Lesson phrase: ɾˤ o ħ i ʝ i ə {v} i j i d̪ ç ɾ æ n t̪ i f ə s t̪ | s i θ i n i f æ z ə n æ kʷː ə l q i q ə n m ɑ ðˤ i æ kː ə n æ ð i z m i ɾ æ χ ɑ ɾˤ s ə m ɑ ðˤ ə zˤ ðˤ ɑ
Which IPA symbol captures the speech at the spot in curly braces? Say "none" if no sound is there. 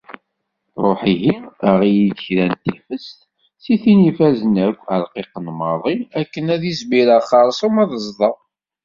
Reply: ʁ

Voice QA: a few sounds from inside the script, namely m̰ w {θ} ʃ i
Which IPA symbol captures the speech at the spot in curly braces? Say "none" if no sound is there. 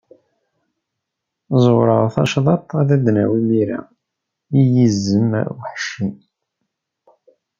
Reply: ħ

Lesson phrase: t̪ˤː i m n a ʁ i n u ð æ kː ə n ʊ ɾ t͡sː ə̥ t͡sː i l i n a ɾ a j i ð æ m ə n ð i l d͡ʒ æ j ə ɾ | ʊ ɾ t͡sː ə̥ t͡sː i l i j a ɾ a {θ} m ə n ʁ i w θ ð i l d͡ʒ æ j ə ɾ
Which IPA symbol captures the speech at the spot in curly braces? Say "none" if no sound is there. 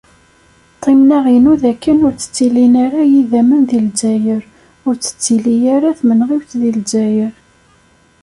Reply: θ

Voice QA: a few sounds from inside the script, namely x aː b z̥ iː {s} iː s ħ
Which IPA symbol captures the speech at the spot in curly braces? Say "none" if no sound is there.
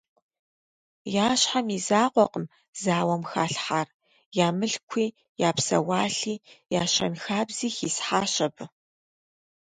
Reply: x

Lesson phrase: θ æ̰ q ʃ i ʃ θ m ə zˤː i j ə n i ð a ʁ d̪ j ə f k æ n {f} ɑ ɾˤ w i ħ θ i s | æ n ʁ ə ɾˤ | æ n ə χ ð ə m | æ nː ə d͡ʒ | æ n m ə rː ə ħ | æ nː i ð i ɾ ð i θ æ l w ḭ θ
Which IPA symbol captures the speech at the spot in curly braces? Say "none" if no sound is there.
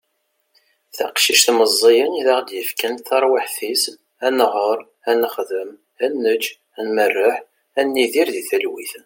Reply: θ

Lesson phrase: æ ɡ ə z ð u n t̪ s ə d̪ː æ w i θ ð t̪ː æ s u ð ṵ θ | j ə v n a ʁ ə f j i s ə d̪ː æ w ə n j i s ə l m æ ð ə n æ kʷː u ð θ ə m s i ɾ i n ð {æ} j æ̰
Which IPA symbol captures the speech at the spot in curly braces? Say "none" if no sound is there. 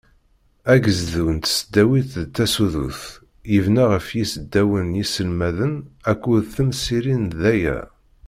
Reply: æ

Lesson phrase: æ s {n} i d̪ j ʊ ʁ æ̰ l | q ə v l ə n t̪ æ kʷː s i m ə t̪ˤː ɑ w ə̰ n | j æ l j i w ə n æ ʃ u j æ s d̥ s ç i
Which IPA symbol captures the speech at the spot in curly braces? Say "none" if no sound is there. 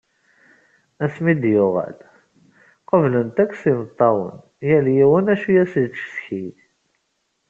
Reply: m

